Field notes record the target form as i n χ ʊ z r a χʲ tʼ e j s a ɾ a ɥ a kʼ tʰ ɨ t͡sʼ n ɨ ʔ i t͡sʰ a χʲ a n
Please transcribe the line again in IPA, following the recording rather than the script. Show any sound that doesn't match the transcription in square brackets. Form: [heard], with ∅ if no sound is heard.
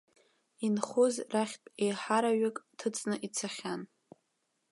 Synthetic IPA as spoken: i n χ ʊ z r a χʲ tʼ e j [ħ] a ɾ a ɥ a kʼ tʰ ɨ t͡sʼ n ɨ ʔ i t͡sʰ a χʲ a n